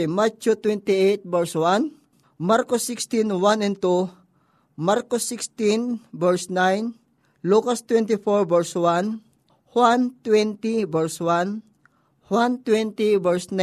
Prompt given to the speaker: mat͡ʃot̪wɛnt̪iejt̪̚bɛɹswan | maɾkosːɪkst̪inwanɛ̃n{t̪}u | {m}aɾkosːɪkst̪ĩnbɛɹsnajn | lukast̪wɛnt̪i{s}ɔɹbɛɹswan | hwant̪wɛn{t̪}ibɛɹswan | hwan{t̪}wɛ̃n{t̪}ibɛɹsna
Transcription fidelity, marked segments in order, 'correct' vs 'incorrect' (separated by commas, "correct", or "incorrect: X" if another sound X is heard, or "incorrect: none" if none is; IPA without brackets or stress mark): correct, correct, incorrect: f, correct, correct, correct